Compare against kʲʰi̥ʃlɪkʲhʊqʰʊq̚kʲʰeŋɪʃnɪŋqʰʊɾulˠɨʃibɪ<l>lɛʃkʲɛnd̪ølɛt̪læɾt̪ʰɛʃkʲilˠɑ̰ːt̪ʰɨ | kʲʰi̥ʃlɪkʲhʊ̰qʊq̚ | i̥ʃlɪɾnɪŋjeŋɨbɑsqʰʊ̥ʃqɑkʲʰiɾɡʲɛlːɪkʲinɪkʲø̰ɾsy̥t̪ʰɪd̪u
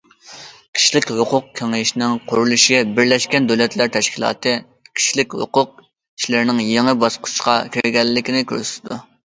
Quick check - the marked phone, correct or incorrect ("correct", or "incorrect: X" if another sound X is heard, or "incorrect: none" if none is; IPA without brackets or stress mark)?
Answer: incorrect: ɾ